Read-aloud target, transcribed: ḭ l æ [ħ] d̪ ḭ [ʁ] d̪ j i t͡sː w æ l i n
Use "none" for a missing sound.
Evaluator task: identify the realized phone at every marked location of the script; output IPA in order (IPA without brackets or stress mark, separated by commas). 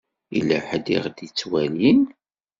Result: ħ, ʁ